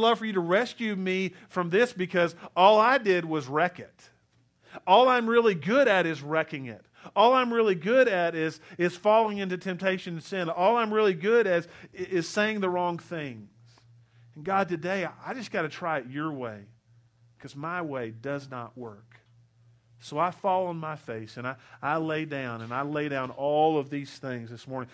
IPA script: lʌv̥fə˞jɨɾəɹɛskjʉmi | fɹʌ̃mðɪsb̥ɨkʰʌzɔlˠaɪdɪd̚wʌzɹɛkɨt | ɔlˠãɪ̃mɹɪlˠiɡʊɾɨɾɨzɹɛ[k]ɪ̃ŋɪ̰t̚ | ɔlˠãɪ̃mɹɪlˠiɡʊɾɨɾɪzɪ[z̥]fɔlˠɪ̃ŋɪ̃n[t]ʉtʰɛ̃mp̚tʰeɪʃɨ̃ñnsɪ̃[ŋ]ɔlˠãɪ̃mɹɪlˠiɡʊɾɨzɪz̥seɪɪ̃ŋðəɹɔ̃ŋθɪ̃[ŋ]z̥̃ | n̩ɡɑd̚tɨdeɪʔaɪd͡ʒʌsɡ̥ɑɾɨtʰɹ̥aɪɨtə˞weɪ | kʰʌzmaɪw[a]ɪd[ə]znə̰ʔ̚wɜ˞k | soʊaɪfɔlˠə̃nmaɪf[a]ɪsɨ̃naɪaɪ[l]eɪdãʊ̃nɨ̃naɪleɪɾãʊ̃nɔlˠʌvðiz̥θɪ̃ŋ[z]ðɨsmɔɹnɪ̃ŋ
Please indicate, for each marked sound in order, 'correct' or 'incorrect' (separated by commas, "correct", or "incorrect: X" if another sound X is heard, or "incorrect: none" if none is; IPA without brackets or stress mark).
correct, correct, correct, incorrect: n, correct, incorrect: e, incorrect: ʌ, incorrect: e, correct, correct